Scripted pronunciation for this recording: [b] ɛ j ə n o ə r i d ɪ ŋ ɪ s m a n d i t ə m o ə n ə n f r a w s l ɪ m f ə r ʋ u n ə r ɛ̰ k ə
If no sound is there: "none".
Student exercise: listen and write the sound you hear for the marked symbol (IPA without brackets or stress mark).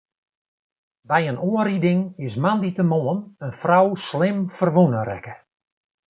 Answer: b